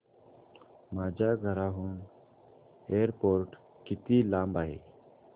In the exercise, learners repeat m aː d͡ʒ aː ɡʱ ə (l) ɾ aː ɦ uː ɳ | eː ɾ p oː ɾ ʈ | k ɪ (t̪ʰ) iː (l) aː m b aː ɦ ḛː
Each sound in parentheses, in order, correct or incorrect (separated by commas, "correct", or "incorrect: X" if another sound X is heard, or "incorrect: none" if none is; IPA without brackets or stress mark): incorrect: none, incorrect: t̪, correct